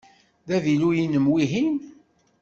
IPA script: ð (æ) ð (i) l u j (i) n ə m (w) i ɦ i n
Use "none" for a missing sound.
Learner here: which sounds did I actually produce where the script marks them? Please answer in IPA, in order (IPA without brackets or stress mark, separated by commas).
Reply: æ, i, i, w